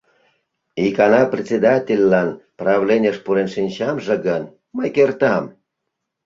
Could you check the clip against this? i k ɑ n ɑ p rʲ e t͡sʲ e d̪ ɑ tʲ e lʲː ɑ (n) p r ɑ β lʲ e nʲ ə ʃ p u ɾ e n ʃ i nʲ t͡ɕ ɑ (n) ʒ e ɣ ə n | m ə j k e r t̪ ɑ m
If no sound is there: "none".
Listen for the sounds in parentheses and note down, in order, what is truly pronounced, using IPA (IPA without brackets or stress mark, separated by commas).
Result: n, m